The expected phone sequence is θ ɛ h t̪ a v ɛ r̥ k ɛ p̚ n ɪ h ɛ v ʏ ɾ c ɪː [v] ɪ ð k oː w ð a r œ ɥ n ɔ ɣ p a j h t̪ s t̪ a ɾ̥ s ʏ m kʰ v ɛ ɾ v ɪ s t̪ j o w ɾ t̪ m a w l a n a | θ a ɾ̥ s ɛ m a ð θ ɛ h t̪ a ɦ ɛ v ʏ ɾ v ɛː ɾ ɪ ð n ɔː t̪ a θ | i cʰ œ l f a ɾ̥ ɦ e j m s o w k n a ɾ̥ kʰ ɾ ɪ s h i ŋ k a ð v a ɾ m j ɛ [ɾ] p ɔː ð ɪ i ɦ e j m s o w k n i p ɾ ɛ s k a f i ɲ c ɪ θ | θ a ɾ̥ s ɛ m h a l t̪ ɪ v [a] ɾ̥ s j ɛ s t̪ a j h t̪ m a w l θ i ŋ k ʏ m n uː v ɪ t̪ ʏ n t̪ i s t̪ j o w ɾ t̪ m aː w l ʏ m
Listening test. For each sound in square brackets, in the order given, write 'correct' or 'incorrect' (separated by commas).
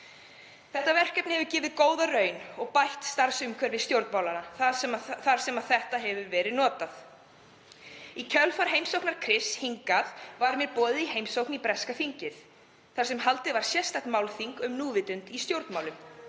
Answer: correct, correct, correct